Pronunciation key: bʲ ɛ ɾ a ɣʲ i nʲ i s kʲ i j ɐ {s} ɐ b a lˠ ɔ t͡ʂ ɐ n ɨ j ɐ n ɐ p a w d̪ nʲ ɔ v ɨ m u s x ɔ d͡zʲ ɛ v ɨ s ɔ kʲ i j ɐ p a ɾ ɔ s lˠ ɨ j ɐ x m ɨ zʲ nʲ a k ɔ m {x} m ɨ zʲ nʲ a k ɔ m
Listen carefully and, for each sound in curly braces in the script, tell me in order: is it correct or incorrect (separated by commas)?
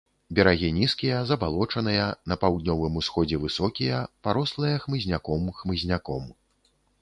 incorrect, correct